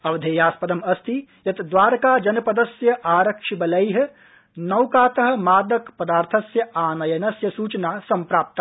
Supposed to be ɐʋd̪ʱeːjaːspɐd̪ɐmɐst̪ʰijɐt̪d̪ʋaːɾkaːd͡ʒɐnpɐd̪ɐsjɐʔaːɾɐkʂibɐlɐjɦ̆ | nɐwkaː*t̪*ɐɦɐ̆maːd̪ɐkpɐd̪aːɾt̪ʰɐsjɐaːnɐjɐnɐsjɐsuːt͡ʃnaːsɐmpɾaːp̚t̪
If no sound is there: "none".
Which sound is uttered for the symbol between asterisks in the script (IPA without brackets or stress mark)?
t̪